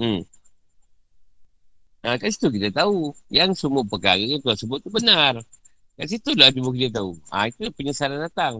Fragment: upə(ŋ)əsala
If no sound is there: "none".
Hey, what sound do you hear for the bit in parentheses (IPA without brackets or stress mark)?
ɲ